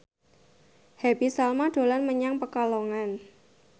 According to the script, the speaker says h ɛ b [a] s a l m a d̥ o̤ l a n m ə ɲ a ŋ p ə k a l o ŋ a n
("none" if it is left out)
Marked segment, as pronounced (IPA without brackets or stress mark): i